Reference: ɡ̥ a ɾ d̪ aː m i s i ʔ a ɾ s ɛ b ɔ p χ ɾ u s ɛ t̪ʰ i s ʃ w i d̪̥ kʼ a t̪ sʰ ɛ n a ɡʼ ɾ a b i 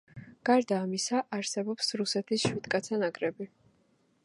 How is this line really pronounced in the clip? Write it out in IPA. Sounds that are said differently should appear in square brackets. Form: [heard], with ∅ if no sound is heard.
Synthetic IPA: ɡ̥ a ɾ d̪ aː m i s [a] ʔ a ɾ s ɛ b ɔ p [s] ɾ u s ɛ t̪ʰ i s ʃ w i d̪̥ kʼ a t̪ sʰ [a] n a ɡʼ ɾ [ɛ] b i